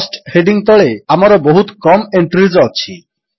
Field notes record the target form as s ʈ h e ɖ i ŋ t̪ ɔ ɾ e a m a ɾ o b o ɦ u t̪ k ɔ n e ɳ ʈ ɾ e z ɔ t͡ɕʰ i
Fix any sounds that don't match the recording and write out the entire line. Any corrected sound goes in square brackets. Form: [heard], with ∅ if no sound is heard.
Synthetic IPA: s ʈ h e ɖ i ŋ t̪ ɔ [ɭ] e a m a ɾ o b o ɦ u t̪ k ɔ [m] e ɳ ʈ ɾ [i] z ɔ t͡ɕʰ i